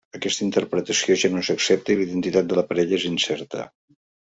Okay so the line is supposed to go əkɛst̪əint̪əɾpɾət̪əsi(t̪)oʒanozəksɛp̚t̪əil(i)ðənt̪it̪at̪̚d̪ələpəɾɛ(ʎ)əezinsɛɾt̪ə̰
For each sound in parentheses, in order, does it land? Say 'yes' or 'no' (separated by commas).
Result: no, yes, yes